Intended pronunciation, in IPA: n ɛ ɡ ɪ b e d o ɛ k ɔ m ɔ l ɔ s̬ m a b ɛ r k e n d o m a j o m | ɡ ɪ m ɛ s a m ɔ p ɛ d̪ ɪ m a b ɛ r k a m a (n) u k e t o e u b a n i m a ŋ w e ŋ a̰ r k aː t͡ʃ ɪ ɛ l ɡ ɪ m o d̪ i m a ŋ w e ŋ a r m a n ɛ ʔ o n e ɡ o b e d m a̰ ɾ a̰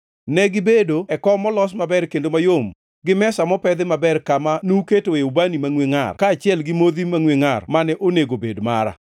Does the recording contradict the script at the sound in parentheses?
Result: no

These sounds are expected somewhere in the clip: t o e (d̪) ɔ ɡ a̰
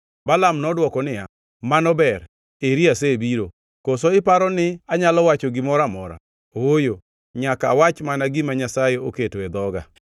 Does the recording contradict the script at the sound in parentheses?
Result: no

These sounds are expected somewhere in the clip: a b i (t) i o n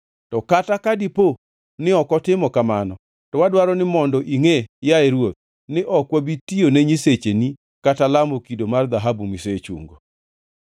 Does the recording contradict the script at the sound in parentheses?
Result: no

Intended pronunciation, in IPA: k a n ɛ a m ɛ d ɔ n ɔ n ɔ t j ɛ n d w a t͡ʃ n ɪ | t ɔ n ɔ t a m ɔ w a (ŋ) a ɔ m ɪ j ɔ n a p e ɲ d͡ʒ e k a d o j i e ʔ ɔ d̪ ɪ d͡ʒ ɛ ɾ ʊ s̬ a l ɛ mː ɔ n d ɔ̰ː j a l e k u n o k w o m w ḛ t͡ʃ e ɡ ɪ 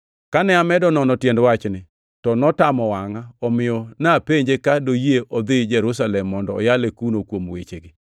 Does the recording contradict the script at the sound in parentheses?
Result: no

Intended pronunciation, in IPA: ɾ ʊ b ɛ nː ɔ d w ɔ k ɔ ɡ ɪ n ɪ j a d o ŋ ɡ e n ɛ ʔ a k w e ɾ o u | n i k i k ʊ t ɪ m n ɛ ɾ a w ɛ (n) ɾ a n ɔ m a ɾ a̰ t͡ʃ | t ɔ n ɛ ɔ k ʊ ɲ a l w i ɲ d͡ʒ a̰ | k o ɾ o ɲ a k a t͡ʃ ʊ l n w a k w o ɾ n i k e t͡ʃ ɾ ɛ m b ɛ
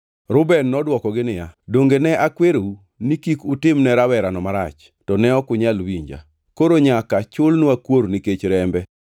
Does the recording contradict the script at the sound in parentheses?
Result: yes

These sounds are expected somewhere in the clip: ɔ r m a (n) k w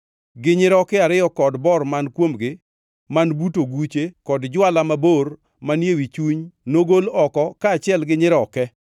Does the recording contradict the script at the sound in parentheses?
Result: no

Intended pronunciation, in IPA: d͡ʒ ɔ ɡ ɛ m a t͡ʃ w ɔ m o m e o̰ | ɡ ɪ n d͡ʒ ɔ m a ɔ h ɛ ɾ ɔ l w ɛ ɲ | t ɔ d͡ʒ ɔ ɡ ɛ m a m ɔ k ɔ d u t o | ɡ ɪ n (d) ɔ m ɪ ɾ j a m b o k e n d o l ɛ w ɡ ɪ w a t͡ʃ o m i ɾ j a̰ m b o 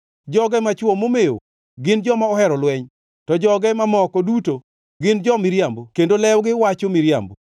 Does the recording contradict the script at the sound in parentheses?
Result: yes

